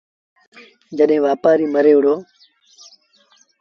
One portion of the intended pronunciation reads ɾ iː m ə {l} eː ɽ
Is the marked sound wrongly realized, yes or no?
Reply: yes